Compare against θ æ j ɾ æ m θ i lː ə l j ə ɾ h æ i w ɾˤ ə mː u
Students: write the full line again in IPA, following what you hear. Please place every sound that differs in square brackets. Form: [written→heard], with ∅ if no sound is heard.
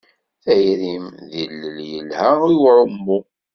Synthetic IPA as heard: θ æ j ɾ [æ→i] m [θ→ð] i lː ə l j ə [ɾ→l] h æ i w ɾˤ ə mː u